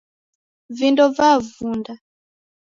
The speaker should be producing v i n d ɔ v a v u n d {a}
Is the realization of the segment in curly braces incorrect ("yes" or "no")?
no